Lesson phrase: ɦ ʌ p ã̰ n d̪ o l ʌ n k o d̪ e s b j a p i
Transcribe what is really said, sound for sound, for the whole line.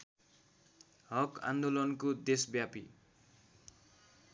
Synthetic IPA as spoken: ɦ ʌ k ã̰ n d̪ o l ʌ n k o d̪ e s b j a p i